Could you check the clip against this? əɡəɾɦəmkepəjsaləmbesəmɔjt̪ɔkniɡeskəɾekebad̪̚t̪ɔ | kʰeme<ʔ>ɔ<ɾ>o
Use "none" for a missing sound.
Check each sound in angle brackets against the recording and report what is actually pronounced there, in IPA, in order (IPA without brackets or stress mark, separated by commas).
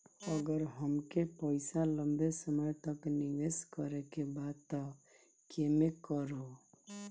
k, ɾ